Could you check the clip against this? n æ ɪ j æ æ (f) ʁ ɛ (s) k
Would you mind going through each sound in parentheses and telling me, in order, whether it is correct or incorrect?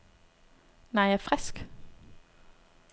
correct, correct

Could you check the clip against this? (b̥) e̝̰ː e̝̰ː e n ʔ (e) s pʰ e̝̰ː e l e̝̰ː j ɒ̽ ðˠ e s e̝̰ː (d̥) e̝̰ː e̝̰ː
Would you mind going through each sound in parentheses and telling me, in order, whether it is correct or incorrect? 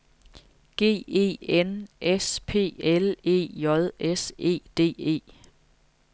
incorrect: ɡ̥, correct, correct

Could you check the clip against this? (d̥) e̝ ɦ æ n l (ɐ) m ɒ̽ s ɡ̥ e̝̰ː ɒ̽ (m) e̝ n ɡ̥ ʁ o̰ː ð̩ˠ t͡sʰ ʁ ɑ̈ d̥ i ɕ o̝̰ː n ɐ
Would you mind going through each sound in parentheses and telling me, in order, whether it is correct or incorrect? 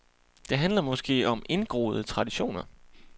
correct, correct, correct

